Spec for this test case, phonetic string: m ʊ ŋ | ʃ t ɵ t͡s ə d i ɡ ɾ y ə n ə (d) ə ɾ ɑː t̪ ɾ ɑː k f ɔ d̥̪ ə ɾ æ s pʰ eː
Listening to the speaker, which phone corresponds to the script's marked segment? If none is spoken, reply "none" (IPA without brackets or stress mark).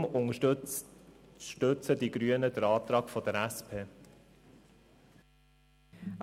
d